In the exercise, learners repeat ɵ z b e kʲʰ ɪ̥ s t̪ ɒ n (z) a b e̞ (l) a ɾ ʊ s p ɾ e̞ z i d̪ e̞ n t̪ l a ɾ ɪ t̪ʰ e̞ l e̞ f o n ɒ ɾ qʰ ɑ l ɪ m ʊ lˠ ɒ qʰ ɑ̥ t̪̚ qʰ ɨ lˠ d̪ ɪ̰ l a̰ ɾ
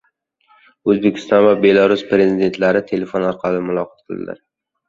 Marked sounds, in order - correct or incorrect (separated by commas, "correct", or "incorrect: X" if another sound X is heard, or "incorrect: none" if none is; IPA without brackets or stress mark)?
incorrect: v, correct